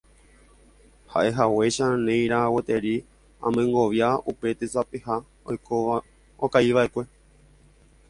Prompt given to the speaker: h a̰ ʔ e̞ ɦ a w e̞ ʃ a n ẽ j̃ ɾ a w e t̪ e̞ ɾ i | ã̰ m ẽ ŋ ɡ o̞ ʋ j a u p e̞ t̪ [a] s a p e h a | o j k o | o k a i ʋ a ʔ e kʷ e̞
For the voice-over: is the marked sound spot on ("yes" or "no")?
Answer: no